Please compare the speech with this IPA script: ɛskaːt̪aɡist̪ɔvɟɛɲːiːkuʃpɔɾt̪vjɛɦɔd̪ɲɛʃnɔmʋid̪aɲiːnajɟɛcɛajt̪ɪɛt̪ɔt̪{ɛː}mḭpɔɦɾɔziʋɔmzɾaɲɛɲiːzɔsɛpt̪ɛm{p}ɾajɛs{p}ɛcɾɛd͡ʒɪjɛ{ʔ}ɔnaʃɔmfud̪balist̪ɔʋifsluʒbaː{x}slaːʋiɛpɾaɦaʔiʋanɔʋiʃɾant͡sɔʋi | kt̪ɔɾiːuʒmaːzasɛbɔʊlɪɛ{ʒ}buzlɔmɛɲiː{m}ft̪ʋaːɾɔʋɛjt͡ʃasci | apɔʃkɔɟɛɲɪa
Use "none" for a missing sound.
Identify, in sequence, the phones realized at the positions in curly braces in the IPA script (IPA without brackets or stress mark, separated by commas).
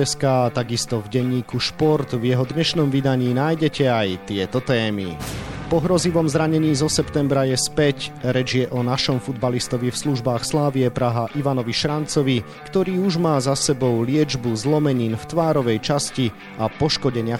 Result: ɛː, b, p, ʔ, x, d͡ʒ, n